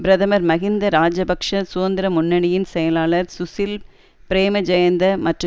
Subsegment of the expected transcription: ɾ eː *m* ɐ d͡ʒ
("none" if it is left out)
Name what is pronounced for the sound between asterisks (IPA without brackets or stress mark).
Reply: m